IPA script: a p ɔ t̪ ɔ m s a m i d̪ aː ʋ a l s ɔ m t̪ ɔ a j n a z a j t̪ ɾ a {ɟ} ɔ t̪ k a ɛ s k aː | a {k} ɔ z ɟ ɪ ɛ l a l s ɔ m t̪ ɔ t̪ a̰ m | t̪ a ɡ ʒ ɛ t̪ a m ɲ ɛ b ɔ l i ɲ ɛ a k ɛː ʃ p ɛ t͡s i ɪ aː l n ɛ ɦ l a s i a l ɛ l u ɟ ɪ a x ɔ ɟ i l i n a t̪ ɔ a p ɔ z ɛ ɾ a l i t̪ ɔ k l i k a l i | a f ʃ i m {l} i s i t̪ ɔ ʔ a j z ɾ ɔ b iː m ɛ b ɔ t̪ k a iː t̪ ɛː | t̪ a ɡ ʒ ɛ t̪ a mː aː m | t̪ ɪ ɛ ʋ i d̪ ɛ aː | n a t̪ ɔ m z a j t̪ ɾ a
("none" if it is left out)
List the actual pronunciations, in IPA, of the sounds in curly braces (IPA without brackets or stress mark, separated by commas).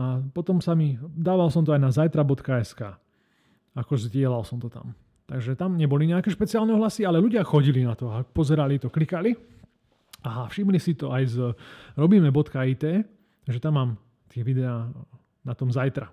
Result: b, k, l